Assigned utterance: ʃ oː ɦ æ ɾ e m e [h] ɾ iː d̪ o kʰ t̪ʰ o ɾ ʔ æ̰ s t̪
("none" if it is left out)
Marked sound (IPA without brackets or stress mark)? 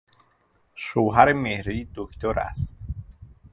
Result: h